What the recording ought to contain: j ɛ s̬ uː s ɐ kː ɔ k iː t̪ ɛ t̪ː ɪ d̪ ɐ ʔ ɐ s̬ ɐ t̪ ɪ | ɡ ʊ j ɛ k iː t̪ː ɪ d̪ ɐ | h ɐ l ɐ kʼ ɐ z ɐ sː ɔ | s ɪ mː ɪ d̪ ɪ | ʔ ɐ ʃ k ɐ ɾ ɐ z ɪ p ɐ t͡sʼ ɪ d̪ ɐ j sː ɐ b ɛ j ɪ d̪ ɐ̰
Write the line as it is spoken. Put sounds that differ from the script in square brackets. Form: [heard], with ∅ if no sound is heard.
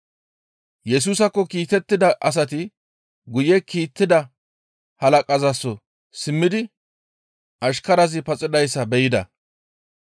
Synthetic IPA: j ɛ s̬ uː s ɐ kː ɔ k iː t̪ ɛ t̪ː ɪ d̪ ɐ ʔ ɐ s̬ ɐ t̪ ɪ | ɡ ʊ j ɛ k iː t̪ː ɪ d̪ ɐ | h ɐ l ɐ kʼ ɐ z ɐ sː ɔ | s ɪ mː ɪ d̪ ɪ | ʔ ɐ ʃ k ɐ ɾ ɐ z ɪ p ɐ t͡sʼ ɪ d̪ ɐ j sː ɐ b ɛ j ɪ d̪ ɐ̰